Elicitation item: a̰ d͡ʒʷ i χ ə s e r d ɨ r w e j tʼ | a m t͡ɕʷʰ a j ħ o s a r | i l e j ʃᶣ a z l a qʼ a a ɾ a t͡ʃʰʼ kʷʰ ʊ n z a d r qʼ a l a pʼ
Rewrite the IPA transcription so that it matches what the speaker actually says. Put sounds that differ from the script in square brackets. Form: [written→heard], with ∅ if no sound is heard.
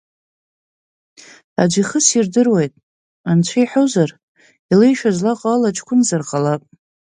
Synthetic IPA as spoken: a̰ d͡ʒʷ i χ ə s [e→i] r d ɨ r w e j tʼ | a [m→n] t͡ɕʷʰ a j ħ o [s→z] a r | i l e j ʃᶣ a z l a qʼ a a [ɾ→l] a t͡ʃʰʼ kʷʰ ʊ n z a [d→∅] r qʼ a l a pʼ

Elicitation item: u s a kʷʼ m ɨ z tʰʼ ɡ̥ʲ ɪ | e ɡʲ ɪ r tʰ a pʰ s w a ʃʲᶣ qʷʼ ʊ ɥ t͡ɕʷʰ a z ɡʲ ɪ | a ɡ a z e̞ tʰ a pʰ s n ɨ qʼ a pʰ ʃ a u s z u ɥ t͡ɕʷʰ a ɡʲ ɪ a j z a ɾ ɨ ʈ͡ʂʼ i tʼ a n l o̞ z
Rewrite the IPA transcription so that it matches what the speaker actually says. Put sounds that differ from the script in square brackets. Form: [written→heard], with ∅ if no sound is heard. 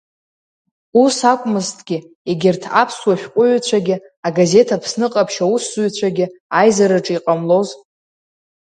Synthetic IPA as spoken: u s a kʷʼ m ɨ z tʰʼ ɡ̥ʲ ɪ | e ɡʲ ɪ r tʰ a pʰ s w a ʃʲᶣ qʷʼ ʊ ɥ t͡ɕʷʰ a [z→∅] ɡʲ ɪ | a ɡ a z e̞ tʰ a pʰ s n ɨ qʼ a pʰ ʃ a u s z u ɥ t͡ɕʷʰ a ɡʲ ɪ a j z a ɾ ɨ ʈ͡ʂʼ i [tʼ→qʼ] a [n→m] l o̞ z

